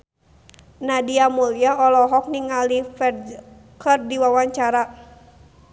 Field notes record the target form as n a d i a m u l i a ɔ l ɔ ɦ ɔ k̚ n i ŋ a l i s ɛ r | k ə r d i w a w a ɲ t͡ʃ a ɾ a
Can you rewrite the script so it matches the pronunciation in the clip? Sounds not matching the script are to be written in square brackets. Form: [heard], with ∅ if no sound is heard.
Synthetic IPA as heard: n a d i a m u l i a ɔ l ɔ ɦ ɔ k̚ n i ŋ a l i [f] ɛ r | k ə r d i w a w a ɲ t͡ʃ a ɾ a